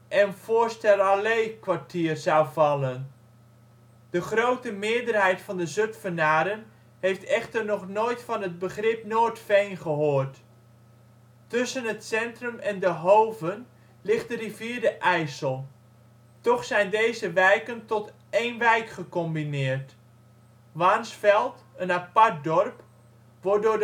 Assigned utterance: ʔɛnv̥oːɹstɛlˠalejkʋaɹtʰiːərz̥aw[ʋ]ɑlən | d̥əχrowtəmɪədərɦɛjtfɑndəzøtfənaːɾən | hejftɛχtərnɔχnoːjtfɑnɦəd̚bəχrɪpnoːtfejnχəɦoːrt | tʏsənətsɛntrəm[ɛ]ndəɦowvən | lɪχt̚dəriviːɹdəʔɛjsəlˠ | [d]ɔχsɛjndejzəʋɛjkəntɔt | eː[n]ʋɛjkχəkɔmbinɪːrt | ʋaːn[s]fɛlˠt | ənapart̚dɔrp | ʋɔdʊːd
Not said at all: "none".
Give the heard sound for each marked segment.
v, ɛ, t, n, s

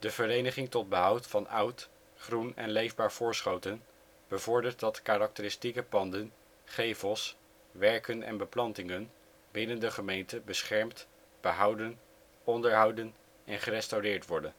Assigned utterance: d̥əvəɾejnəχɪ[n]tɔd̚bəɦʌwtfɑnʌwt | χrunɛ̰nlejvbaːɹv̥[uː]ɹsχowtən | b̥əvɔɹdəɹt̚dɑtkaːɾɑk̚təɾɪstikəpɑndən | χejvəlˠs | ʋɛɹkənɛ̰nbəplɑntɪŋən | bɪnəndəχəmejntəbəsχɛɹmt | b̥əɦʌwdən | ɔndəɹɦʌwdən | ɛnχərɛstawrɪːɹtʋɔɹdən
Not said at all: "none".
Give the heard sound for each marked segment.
ŋ, ʊː

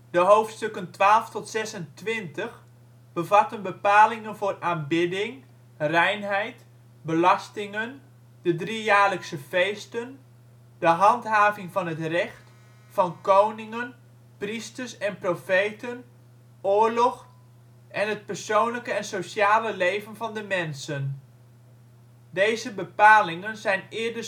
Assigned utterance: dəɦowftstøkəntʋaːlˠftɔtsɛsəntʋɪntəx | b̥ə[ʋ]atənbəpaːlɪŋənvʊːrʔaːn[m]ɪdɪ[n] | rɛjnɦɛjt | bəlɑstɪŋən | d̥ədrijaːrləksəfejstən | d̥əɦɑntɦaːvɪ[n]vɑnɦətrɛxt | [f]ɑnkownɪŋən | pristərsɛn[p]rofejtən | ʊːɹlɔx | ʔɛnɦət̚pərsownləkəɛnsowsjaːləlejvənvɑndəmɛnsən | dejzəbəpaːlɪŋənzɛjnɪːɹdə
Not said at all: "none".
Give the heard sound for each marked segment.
v, b, ŋ, ŋ, f, p

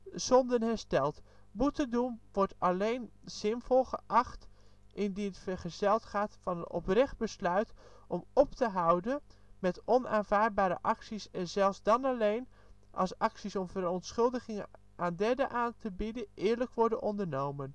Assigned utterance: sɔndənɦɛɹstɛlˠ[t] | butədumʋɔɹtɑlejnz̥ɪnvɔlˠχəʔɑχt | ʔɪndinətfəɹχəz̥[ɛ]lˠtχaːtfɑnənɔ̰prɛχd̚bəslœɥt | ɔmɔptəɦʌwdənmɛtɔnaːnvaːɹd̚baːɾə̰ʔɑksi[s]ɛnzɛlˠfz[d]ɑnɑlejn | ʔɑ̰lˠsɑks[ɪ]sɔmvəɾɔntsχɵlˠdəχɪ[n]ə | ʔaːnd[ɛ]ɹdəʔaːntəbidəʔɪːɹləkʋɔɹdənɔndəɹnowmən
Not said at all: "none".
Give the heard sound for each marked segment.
t, ɛ, s, d, i, ŋ, ɛ

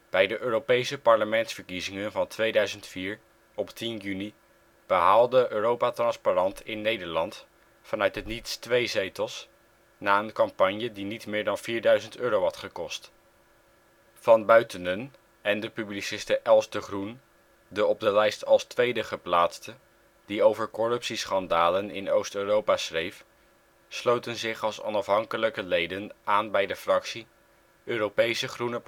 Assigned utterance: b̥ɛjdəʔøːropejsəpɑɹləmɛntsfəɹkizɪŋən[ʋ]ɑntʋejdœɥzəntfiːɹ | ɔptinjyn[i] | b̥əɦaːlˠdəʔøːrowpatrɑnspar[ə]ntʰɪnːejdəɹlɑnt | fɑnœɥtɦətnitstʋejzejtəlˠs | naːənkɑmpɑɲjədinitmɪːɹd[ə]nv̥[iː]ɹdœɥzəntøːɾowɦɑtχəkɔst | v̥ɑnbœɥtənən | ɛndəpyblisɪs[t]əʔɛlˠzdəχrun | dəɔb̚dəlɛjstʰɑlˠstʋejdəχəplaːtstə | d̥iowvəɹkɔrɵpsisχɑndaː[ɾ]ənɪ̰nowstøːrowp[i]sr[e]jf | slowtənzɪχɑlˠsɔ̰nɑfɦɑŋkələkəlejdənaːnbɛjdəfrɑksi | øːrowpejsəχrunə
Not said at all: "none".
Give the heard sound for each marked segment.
v, i, ɑ, ɑ, iː, t, l, a, e

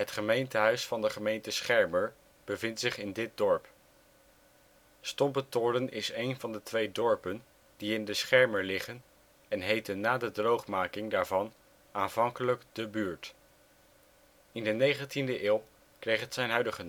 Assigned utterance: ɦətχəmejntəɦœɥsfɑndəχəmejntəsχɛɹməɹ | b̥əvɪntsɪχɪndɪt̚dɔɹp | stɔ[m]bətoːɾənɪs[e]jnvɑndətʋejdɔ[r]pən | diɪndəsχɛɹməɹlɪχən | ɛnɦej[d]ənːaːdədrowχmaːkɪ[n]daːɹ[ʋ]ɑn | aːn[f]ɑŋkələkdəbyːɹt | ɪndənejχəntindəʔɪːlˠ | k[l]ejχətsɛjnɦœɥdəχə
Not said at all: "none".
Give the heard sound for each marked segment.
m, e, ɹ, t, ŋ, v, v, r

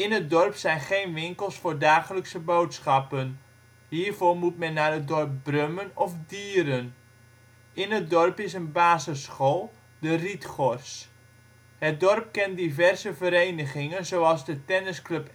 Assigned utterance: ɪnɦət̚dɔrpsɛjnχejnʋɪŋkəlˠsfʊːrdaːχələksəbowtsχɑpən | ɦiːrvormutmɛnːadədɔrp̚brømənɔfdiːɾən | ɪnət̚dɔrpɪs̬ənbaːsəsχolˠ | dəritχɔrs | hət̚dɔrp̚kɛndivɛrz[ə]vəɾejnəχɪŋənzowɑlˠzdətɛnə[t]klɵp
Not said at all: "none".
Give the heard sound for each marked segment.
ə, s

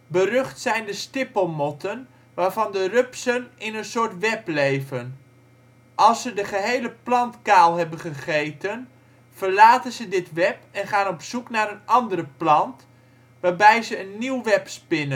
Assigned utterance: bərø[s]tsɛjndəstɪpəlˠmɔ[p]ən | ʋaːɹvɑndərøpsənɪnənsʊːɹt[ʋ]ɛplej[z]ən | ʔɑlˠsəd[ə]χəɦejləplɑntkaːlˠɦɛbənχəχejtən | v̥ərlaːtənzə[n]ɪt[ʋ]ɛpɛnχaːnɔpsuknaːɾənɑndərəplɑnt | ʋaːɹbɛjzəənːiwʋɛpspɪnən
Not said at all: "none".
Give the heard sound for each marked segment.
χ, t, ʋ, v, ə, d, ʋ

